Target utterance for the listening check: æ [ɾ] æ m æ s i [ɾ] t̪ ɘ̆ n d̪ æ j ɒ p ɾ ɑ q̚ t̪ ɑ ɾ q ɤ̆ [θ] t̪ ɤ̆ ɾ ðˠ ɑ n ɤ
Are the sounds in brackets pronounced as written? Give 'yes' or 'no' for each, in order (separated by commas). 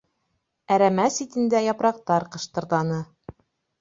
yes, no, no